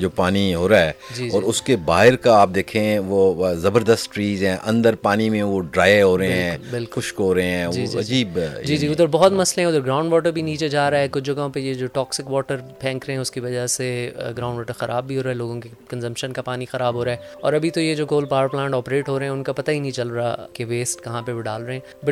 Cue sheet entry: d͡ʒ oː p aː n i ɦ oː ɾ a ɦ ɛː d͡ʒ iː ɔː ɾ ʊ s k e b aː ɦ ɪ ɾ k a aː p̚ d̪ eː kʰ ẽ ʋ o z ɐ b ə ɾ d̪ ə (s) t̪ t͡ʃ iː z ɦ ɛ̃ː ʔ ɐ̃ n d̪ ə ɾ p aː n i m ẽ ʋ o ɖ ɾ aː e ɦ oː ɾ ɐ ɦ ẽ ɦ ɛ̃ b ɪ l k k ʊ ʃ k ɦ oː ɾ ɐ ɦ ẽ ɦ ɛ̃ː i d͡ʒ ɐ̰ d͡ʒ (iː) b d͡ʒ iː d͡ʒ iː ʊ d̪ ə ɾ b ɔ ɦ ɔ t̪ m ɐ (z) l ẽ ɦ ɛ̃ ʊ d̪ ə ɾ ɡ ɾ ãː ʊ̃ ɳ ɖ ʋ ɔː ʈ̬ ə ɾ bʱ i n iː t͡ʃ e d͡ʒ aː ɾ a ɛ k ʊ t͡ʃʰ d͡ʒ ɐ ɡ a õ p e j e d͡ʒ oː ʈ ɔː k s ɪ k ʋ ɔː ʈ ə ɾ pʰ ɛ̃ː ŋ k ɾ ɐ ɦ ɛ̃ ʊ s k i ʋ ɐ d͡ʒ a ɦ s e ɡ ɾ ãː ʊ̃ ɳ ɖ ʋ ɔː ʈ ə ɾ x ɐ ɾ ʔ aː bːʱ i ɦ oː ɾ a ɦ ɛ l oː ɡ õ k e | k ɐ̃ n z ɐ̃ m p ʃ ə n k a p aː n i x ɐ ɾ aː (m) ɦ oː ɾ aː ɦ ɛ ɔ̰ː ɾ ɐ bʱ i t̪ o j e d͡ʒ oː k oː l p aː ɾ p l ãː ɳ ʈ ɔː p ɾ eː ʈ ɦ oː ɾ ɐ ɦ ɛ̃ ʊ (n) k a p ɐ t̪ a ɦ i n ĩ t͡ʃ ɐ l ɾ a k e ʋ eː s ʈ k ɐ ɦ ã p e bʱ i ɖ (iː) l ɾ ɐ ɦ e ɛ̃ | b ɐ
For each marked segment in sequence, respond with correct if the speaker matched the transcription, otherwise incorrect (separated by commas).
correct, correct, incorrect, incorrect, correct, incorrect